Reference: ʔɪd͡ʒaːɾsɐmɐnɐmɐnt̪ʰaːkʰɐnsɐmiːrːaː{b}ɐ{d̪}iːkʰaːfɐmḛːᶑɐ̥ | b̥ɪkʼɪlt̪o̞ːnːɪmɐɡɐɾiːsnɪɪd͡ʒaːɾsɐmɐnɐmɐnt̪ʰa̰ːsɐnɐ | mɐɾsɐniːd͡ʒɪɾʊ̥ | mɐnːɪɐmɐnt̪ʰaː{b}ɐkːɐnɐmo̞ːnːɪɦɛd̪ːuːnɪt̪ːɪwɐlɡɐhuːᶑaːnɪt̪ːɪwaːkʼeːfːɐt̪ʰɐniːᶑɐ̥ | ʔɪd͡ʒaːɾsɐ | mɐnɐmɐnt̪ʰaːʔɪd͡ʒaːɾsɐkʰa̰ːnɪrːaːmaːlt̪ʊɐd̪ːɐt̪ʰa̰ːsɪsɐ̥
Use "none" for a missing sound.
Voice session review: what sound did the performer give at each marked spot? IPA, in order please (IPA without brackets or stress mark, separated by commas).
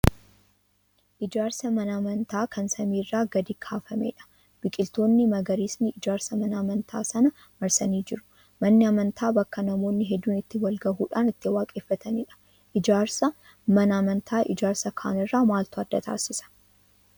ɡ, d̪, b